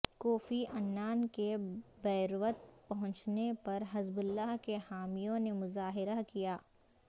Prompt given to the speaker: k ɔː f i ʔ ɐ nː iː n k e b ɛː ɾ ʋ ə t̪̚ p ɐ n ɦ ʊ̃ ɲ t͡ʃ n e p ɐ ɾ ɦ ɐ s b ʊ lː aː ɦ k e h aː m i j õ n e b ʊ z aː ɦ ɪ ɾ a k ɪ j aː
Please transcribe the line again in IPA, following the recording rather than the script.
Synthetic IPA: k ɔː f i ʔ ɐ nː aː n k e b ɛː ɾ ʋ ə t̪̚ p ɐ ɦ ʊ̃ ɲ t͡ʃ n e p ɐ ɾ ɦ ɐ z b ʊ lː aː ɦ k e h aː m i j õ n e m ʊ z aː ɦ ɪ ɾ a k i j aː

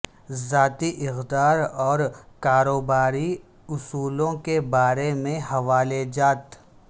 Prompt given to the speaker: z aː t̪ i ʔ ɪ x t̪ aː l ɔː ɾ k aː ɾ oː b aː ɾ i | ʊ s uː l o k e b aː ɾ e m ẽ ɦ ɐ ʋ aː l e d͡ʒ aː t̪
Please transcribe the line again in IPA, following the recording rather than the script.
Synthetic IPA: z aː t̪ i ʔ ɪ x d̪ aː ɾ ɔː ɾ k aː ɾ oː b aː ɾ i | ʊ s uː l õ k e b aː ɾ e m ẽ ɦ ɐ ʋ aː l e d͡ʒ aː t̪

